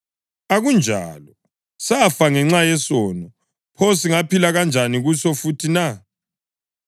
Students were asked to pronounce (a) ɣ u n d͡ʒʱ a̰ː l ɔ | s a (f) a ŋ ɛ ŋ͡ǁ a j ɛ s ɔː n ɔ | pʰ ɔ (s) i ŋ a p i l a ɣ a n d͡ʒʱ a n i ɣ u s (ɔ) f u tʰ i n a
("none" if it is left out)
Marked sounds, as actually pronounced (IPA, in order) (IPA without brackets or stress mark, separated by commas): a, f, s, ɔ